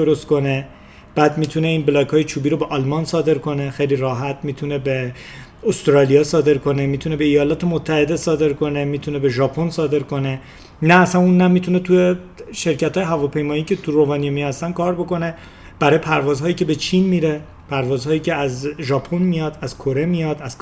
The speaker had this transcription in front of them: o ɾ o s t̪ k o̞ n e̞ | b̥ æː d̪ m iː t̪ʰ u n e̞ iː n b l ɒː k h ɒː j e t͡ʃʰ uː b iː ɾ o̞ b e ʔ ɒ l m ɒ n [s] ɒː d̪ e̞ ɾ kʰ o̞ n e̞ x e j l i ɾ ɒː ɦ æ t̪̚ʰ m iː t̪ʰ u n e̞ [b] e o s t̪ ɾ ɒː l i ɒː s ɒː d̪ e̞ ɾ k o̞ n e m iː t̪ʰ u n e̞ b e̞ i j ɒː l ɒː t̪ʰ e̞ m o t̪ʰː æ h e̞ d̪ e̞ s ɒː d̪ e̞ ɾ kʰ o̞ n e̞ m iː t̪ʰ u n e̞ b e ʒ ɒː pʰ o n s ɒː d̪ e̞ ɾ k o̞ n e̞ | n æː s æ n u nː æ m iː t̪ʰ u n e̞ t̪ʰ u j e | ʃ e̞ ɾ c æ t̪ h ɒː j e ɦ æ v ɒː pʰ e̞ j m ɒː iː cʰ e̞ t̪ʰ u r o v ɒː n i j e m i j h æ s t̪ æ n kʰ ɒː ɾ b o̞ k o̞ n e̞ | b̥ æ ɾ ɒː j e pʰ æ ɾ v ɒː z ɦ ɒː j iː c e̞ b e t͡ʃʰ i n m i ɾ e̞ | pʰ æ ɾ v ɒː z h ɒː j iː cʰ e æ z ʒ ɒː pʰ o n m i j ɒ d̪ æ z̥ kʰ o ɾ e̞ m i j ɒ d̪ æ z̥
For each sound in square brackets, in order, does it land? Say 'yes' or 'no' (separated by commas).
yes, yes